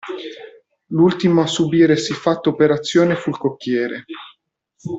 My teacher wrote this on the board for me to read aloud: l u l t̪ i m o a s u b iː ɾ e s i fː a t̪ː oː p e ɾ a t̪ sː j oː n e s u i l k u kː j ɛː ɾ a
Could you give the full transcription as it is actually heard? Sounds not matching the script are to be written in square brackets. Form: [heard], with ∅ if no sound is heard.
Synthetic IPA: l u l t̪ i m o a s u b iː ɾ e s i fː a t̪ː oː p e ɾ a t̪ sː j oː n e [f] u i l k [o] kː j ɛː ɾ [e]

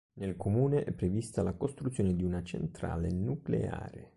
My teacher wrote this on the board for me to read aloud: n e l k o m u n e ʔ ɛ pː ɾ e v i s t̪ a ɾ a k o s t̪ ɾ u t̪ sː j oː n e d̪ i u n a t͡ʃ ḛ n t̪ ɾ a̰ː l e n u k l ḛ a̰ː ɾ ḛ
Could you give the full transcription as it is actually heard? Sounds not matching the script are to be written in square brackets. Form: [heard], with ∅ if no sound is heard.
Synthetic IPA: n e l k o m [uː] n e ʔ ɛ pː ɾ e v i s t̪ a [l] a k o s t̪ ɾ u t̪ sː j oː n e d̪ i u n a t͡ʃ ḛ n t̪ ɾ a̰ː l e n u k l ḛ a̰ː ɾ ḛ

